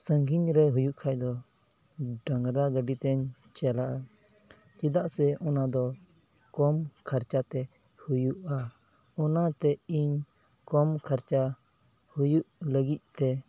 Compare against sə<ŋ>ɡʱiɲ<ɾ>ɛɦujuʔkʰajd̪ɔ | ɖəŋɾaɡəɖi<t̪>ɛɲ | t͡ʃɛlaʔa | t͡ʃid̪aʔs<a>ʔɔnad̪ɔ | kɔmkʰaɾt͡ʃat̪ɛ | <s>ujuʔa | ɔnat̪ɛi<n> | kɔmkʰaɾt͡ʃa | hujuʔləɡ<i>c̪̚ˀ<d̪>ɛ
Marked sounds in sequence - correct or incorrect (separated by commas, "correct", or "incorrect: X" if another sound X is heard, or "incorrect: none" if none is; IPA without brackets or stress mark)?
correct, correct, correct, incorrect: ɛ, incorrect: h, incorrect: ɲ, correct, incorrect: t̪